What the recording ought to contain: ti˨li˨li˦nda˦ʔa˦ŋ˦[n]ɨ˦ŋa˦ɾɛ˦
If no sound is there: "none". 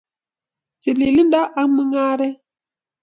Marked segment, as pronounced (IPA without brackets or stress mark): m